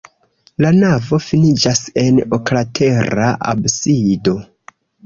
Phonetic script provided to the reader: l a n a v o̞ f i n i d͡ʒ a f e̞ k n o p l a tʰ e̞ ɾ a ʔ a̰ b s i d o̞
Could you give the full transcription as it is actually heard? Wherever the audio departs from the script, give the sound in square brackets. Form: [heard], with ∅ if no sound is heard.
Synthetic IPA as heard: l a n a v o̞ f i n i d͡ʒ a [s] e̞ [∅] n o [k] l a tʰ e̞ ɾ a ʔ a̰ b s i d o̞